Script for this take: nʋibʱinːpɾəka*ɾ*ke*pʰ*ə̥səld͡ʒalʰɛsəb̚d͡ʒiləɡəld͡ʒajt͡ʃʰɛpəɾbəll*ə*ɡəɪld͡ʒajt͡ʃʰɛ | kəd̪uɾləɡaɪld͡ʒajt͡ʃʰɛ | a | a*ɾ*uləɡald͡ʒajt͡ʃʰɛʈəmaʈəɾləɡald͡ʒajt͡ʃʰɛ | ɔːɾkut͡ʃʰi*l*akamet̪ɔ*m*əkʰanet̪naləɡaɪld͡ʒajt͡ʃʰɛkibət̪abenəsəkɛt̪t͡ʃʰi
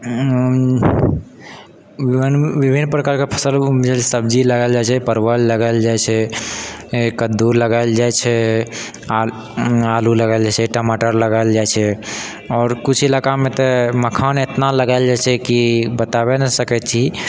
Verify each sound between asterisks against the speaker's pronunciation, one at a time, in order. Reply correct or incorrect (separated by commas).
correct, correct, correct, incorrect, correct, correct